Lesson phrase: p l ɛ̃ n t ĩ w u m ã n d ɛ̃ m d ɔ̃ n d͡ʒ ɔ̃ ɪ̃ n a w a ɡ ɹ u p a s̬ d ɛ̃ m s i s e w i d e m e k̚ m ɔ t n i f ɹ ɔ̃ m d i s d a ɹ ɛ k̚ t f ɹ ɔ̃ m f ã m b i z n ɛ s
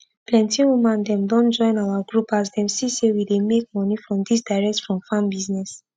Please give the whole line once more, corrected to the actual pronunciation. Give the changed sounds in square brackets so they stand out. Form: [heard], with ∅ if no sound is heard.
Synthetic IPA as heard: p l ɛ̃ n t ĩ w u m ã n d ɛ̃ m d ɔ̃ n d͡ʒ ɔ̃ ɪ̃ n a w a ɡ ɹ u p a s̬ d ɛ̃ m s i s e w i d e m e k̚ m ɔ [∅] n i f ɹ ɔ̃ m d i s d a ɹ ɛ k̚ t f ɹ ɔ̃ m f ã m b i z n ɛ s